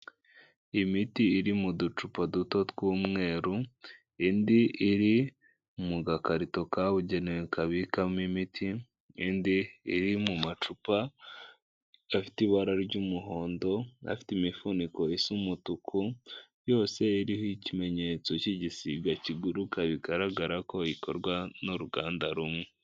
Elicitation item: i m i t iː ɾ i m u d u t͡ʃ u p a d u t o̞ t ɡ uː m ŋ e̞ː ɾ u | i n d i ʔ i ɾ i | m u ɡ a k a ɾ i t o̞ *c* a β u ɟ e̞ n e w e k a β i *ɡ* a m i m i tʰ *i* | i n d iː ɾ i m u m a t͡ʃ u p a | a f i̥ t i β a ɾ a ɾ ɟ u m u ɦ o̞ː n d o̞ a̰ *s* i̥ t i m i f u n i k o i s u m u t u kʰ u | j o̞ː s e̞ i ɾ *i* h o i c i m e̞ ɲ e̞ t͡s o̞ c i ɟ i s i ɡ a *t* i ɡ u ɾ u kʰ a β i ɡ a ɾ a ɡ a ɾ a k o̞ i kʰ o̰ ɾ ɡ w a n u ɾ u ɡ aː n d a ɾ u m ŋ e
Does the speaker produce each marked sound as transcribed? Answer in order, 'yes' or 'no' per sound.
no, no, yes, no, yes, no

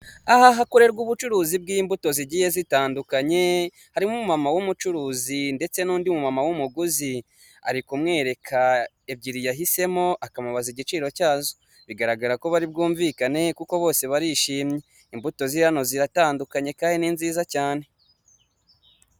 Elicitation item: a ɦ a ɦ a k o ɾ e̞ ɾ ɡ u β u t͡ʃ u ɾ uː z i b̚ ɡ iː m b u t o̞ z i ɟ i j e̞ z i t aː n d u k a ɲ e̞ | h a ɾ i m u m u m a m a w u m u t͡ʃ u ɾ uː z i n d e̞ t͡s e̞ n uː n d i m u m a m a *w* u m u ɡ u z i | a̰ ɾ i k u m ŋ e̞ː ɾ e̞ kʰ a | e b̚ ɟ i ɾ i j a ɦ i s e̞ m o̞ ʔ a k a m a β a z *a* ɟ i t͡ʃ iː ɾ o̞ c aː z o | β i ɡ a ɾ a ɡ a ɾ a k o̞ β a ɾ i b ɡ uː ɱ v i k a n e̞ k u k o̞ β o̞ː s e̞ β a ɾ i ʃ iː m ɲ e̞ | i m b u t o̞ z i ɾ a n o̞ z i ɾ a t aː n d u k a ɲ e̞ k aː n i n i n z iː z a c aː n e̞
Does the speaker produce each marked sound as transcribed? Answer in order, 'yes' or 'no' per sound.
yes, no

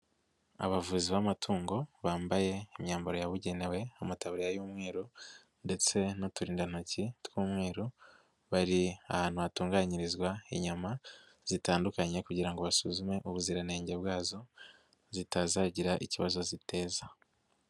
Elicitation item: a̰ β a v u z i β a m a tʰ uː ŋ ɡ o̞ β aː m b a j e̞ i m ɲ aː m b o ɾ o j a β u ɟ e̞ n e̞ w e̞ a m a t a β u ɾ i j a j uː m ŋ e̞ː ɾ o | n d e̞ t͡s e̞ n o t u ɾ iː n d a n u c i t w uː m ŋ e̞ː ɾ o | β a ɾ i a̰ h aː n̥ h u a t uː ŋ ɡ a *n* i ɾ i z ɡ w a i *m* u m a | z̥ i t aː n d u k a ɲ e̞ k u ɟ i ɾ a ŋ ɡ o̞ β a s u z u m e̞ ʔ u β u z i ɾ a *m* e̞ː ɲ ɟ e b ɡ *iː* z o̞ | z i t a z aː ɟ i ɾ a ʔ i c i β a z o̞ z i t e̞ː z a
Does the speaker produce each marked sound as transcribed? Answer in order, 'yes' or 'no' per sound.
no, no, no, no

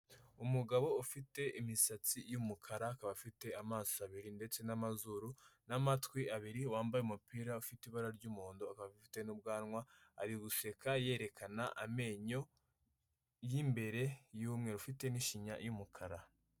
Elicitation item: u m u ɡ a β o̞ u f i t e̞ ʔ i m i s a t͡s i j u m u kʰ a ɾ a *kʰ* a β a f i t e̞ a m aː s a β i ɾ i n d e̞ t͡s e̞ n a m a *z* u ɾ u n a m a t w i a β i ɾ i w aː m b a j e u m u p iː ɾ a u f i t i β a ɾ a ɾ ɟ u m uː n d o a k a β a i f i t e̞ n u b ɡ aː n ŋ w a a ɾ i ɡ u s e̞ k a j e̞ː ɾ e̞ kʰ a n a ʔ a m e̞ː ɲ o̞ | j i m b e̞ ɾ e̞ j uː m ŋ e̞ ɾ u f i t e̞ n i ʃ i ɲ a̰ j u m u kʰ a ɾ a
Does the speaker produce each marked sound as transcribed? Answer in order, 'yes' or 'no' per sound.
no, yes

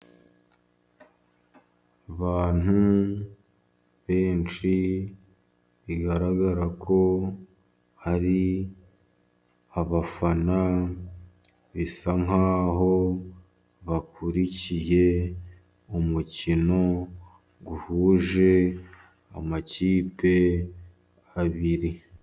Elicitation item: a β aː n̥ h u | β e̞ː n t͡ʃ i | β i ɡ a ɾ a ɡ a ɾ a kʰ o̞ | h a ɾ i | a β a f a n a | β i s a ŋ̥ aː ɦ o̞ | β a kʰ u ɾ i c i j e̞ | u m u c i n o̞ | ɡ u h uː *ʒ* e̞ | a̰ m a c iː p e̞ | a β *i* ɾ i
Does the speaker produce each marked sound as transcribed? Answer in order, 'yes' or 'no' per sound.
yes, yes

